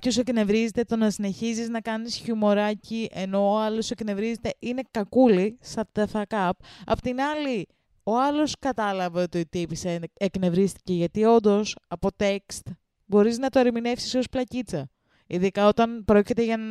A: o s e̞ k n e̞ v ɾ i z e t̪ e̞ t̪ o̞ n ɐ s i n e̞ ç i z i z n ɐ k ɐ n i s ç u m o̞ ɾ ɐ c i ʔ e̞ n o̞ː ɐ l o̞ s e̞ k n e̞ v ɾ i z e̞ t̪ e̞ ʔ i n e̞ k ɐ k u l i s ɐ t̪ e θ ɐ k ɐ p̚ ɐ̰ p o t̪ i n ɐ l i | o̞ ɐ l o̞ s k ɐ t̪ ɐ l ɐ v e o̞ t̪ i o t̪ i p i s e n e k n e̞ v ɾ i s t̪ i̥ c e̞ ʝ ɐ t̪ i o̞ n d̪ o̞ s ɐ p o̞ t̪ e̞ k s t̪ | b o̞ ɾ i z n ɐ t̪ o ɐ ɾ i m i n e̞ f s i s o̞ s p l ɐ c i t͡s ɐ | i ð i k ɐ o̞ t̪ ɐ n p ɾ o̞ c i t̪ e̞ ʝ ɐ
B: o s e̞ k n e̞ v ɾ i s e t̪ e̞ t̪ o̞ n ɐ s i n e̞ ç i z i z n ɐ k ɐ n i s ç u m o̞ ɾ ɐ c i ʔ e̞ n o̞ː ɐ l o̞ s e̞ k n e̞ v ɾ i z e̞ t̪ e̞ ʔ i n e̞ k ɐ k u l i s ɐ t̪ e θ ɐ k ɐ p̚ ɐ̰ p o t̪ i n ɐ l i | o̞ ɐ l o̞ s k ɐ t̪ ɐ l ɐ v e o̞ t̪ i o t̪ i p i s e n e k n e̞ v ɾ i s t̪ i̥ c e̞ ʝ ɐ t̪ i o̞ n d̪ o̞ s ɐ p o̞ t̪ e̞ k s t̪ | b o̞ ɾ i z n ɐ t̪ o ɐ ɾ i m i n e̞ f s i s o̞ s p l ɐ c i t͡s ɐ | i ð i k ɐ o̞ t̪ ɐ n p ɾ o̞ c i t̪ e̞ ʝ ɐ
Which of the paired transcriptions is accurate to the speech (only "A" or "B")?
A